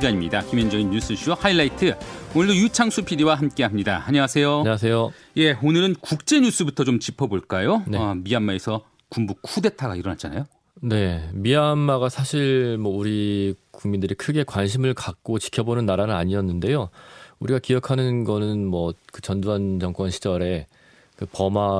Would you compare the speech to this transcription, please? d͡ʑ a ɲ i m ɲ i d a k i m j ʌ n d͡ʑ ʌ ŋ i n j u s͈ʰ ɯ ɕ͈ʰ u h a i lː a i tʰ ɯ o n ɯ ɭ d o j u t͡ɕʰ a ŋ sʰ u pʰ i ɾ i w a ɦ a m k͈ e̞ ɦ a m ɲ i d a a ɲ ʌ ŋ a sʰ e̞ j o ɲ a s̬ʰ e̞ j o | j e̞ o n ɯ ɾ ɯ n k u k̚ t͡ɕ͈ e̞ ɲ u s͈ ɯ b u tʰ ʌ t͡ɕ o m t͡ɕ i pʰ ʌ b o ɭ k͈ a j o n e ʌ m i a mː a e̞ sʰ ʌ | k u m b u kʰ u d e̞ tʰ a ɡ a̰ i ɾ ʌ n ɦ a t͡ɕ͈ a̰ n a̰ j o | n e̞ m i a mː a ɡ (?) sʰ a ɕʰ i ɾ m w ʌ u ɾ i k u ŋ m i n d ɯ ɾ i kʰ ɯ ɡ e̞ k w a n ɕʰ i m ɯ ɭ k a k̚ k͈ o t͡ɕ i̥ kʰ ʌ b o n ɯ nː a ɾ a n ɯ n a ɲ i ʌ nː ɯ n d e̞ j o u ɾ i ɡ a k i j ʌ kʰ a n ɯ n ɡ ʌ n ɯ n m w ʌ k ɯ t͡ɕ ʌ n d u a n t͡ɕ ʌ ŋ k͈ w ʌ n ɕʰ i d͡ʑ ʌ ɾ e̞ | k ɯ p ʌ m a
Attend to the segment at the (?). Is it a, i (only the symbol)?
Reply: a